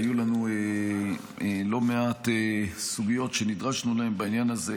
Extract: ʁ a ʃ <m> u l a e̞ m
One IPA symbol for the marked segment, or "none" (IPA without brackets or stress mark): n